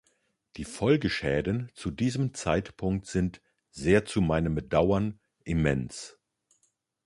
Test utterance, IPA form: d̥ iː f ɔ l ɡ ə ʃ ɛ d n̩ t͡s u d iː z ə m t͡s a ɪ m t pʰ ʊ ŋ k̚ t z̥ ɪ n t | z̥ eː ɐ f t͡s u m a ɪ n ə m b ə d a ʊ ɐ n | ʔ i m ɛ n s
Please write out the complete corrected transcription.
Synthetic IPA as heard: d̥ iː f ɔ l ɡ ə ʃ ɛː d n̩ t͡s u d iː z ə m t͡s a ɪ t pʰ ʊ ŋ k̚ t z̥ ɪ n t | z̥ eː ɐ t͡s u m a ɪ n ə m b ə d a ʊ ɐ n | ʔ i m ɛ n s